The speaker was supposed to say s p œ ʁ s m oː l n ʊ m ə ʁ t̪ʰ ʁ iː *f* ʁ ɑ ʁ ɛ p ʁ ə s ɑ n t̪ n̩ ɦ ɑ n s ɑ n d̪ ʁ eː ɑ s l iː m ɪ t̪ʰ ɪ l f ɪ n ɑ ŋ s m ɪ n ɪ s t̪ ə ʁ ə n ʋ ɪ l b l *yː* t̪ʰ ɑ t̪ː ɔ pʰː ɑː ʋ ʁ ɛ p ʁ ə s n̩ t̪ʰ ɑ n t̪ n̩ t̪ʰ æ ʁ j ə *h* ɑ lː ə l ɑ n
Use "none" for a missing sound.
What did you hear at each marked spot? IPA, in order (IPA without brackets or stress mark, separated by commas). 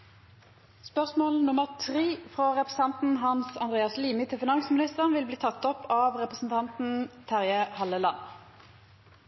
f, iː, h